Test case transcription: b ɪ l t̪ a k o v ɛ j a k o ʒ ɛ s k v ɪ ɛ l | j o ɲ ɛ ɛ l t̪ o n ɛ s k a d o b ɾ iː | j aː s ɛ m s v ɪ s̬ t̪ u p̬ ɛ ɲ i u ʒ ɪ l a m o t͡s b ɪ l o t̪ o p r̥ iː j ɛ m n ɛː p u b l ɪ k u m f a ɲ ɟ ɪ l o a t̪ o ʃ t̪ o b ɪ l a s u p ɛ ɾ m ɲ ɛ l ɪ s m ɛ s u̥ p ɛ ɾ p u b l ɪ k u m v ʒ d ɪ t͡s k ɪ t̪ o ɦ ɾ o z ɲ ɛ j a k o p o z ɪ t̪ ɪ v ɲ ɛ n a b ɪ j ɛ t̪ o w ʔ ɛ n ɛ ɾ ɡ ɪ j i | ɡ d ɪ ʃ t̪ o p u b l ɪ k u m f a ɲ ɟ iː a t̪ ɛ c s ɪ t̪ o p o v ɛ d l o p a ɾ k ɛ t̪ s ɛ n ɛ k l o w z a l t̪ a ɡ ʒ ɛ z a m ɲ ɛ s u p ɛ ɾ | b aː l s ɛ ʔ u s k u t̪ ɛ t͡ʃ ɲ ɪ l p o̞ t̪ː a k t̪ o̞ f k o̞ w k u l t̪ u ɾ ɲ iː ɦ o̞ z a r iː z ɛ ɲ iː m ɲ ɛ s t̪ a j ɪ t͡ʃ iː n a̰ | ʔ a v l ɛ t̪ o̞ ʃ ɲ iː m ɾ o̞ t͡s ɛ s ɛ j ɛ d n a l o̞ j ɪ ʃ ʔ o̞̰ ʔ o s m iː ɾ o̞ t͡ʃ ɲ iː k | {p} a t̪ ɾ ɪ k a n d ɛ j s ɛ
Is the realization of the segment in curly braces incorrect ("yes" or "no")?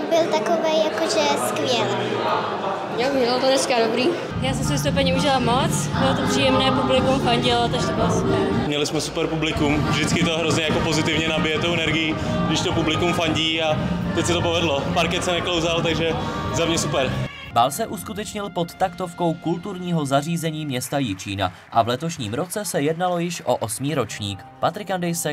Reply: no